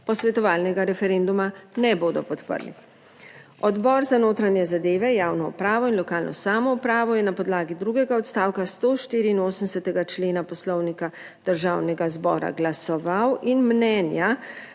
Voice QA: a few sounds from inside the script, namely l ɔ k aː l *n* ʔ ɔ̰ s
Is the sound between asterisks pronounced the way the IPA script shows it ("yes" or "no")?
yes